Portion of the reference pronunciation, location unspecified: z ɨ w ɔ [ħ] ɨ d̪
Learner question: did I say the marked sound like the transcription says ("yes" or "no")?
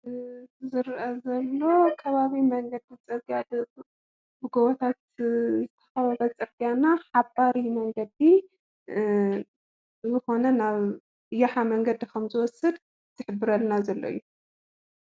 no